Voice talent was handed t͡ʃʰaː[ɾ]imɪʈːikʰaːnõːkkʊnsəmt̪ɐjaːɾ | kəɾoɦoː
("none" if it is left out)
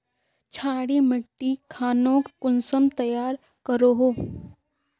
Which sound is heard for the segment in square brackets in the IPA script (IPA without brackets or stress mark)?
ɽ